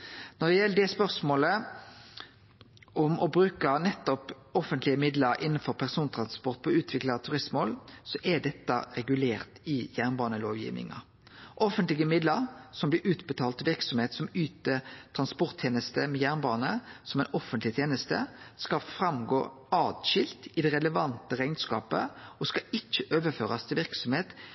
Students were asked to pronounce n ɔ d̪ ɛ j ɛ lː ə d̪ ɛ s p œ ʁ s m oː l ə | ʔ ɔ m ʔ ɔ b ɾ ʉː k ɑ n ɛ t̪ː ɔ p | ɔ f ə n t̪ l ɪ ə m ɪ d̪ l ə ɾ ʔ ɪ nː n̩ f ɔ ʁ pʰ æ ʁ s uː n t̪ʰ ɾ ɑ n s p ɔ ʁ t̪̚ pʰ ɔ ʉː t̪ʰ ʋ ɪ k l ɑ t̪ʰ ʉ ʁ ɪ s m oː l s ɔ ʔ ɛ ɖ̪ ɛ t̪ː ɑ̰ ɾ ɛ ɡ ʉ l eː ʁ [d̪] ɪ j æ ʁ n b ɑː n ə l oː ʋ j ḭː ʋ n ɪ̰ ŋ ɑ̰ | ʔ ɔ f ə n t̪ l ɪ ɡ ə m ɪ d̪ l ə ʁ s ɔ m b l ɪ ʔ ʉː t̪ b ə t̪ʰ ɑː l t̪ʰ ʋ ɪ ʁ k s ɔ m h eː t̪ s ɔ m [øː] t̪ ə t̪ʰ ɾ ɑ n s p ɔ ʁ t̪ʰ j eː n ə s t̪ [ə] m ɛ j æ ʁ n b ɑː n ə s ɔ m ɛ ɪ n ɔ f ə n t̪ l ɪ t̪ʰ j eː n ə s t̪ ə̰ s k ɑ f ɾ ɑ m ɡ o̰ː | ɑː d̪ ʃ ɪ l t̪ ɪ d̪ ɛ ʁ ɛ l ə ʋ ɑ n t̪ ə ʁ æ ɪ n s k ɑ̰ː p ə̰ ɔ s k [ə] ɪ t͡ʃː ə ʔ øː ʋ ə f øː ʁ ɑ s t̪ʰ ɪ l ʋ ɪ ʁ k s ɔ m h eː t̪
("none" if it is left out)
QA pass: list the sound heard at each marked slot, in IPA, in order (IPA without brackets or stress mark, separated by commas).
t̪, yː, ə, ɑ